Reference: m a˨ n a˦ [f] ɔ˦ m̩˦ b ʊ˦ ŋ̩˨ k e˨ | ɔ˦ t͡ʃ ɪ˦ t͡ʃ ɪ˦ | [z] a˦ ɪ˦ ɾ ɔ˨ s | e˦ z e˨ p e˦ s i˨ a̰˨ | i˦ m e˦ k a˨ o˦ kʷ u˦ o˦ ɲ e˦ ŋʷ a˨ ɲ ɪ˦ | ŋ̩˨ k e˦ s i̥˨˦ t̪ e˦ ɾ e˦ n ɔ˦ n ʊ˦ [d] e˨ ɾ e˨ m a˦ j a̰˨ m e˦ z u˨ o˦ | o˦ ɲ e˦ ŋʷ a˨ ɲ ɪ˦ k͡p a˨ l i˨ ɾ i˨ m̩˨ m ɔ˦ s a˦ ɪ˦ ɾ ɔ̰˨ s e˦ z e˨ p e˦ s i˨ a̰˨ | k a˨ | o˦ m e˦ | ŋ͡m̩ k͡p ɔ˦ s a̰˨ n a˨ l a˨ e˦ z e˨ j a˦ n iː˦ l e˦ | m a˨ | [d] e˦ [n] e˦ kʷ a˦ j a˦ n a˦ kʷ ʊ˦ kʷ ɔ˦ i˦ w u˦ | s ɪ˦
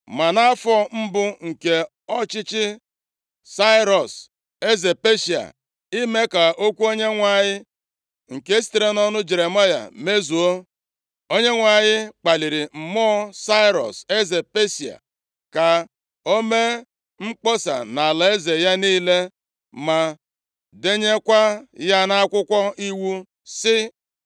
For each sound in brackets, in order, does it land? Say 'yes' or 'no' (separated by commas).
yes, no, no, yes, no